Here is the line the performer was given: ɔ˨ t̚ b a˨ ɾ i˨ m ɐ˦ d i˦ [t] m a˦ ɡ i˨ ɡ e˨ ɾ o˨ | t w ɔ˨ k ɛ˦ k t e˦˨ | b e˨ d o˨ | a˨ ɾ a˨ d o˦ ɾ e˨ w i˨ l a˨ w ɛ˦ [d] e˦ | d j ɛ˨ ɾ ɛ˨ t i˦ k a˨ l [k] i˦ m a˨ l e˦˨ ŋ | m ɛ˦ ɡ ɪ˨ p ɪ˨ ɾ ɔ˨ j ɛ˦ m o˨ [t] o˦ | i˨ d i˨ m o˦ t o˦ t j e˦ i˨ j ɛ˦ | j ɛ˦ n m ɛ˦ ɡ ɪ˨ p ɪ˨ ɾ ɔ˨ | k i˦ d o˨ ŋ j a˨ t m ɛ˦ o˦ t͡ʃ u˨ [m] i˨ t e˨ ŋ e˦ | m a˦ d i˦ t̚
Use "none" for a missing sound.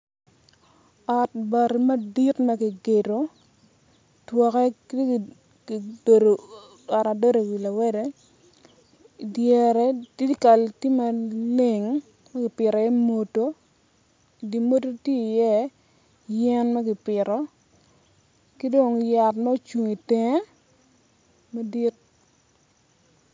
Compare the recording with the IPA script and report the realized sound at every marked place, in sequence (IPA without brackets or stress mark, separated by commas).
t, d, t, t, ŋ